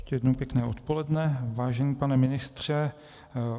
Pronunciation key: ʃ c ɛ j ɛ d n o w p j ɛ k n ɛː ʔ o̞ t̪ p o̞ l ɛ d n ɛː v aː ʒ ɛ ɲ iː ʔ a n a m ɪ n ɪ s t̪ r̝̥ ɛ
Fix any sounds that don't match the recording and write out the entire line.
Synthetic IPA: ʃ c ɛ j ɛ d n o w p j ɛ k n ɛː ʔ o̞ t̪ p o̞ l ɛ d n ɛ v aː ʒ ɛ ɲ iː p a n ɛ m ɪ n ɪ s t̪ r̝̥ ɛ